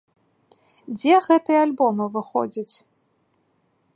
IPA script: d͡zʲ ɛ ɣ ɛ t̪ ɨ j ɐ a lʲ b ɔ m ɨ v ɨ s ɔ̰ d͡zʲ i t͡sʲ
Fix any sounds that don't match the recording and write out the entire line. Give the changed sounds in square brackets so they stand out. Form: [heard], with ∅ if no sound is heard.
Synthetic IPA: d͡zʲ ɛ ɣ ɛ t̪ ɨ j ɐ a lʲ b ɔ m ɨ v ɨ [x] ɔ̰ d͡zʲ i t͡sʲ